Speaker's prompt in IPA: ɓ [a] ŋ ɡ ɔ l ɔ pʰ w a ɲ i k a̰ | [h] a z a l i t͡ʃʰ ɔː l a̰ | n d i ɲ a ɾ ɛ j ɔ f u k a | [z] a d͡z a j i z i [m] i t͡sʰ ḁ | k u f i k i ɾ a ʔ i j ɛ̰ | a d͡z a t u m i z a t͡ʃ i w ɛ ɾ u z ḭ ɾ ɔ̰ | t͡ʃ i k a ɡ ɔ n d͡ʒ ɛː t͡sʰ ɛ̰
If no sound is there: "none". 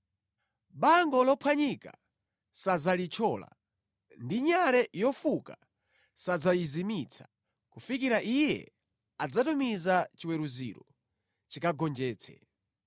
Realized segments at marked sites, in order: a, s, s, m

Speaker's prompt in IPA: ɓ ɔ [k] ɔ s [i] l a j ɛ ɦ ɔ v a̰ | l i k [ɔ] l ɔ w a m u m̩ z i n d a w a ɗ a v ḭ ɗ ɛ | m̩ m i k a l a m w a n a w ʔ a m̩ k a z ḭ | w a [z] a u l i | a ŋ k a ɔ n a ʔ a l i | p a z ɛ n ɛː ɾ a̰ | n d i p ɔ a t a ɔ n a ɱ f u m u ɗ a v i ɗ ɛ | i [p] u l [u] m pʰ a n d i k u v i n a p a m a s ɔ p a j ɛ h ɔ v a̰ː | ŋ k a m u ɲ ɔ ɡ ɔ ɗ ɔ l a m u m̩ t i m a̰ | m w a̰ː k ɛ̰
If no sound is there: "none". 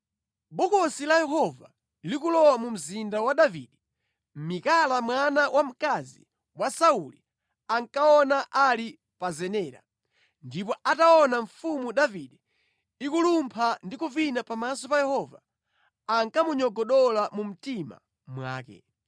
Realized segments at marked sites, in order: k, i, u, s, k, u

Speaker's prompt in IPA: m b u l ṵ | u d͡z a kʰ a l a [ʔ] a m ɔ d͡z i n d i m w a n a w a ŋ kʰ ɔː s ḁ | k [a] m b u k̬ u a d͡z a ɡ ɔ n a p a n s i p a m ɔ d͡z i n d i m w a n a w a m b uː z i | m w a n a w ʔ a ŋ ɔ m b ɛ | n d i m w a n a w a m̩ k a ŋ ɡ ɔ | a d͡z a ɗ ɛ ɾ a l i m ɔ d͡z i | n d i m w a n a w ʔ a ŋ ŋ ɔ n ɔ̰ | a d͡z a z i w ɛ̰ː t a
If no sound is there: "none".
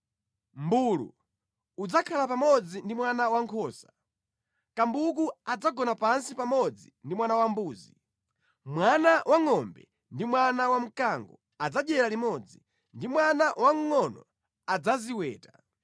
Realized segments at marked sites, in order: p, a

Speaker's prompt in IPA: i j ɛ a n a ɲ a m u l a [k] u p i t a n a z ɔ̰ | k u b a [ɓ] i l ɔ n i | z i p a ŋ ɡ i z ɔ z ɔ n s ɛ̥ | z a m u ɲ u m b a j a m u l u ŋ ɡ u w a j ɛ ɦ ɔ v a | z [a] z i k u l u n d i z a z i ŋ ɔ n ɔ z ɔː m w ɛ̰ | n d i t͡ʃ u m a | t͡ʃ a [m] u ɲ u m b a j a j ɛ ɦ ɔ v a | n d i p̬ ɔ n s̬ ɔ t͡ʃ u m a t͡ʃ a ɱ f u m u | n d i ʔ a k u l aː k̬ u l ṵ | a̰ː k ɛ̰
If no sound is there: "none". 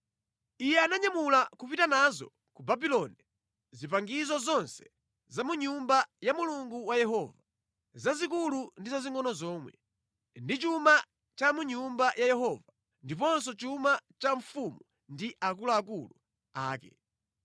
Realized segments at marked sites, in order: k, b, a, m

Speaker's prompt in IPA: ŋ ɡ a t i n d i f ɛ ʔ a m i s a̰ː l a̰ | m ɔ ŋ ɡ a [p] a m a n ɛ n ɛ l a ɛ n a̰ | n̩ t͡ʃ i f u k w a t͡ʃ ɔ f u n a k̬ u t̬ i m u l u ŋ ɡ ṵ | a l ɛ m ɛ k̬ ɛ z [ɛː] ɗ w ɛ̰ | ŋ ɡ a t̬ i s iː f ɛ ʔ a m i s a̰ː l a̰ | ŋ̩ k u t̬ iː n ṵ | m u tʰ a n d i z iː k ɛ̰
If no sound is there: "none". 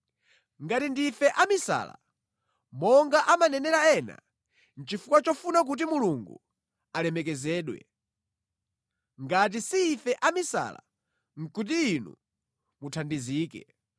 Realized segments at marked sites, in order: ʔ, ɛː

